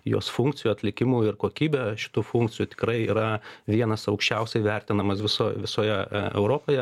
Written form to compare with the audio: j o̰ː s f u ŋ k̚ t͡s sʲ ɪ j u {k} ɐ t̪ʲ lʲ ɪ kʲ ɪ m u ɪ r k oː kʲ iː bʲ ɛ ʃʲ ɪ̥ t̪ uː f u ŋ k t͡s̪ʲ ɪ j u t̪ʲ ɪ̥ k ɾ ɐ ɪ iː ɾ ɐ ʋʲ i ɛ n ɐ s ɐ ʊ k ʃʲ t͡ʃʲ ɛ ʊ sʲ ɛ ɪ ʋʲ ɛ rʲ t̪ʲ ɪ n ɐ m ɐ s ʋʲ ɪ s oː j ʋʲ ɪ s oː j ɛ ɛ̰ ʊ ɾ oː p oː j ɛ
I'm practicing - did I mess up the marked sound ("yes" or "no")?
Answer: yes